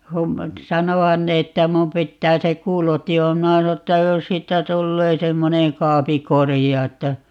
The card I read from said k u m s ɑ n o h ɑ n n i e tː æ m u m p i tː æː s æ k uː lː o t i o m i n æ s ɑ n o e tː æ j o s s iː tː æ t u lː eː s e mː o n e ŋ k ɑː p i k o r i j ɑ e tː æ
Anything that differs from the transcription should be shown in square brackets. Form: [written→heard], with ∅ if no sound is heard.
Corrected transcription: k u m s ɑ n o h ɑ n n [i→e] e tː æ m u m p i tː æː s [æ→e] k uː [lː→l] o t i o m i n æ s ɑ n o e tː æ j o s s iː tː æ t u lː eː s e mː o n e ŋ k ɑː p i k o r i j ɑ e tː æ